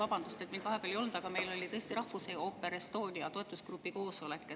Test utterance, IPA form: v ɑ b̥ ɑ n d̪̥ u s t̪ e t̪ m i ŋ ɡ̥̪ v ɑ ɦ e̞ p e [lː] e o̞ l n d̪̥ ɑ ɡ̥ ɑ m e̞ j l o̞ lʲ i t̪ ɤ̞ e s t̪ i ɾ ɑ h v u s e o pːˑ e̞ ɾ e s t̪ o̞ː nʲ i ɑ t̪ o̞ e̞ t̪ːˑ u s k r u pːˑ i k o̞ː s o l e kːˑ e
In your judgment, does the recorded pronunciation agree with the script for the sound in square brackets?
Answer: no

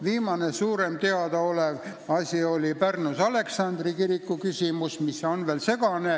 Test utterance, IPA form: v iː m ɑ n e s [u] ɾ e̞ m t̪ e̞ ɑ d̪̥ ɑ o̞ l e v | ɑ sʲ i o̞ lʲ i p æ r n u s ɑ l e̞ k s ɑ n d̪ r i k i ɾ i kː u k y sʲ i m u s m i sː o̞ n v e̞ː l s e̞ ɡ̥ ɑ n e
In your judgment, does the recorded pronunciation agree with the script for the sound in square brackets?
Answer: no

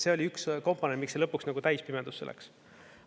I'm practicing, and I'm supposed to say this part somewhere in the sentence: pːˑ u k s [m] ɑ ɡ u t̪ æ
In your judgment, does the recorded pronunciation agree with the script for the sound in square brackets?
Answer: no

